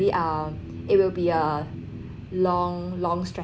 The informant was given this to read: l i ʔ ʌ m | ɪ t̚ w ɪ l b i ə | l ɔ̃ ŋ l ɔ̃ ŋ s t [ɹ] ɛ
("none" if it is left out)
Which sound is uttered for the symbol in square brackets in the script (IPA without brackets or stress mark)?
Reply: ɹ